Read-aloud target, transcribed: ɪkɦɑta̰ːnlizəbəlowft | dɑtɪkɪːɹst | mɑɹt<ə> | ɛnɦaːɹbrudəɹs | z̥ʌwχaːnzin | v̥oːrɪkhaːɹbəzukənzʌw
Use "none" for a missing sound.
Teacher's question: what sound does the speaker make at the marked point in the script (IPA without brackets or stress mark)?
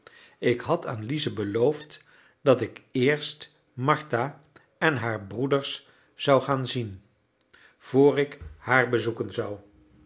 a